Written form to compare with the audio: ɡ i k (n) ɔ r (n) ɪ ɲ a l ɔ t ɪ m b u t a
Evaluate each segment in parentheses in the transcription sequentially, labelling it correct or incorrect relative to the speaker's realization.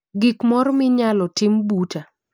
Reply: incorrect, incorrect

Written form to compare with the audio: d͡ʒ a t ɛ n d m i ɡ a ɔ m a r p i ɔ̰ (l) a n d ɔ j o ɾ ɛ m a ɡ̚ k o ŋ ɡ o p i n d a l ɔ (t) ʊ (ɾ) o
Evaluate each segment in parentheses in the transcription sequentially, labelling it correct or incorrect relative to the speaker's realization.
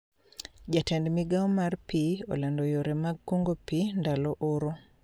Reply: correct, incorrect, correct

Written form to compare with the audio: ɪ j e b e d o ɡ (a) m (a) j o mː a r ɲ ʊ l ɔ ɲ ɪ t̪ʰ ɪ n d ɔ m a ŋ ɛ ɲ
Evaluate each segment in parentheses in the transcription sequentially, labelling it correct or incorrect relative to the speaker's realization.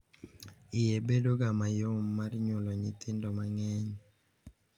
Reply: correct, correct

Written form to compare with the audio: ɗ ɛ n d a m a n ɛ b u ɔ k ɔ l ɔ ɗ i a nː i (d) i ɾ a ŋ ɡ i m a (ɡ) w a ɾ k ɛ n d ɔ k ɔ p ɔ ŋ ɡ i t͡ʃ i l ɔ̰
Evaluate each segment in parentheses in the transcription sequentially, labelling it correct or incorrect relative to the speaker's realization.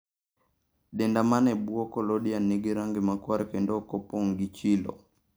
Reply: incorrect, incorrect

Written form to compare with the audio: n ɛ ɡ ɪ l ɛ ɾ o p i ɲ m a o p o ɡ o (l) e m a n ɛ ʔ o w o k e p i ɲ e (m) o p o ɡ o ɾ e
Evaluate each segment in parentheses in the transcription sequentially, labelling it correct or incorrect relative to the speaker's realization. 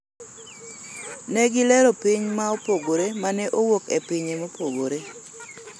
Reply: incorrect, correct

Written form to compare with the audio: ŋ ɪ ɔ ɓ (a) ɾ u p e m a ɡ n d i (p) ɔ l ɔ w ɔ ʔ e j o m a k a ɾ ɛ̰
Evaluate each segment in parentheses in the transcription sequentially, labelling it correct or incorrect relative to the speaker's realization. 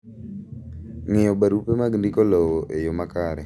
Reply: correct, incorrect

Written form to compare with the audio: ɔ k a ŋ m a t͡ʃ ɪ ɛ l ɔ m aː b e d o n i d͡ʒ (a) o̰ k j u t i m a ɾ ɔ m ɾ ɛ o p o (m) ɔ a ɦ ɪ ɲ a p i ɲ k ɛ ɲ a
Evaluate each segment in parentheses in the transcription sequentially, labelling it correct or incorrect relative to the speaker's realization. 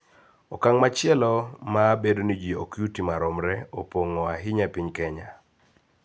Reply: incorrect, incorrect

